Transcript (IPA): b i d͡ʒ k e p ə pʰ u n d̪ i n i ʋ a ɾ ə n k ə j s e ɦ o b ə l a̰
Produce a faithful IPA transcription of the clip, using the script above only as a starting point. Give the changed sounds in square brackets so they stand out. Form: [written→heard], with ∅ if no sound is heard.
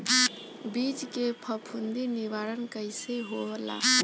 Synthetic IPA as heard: b i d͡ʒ k e [p→pʰ] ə pʰ u n d̪ i n i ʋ a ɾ ə n k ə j s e ɦ o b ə l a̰